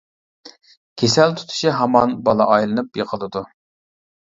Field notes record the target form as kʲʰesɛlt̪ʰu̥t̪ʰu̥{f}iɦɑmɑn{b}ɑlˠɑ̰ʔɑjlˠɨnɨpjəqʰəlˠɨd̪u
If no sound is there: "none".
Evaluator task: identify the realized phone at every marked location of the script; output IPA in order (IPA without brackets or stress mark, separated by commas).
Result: ʃ, b